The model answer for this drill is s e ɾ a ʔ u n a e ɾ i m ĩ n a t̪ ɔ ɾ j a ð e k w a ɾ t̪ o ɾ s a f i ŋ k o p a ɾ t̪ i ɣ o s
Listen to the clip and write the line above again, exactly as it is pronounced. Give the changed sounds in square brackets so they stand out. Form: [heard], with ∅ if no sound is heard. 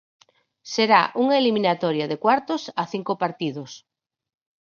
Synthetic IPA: s e ɾ a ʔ u [ŋ] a e [l] i m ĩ n a t̪ ɔ ɾ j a ð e k w a ɾ t̪ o [∅] s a [θ] i ŋ k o p a ɾ t̪ i [ð] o s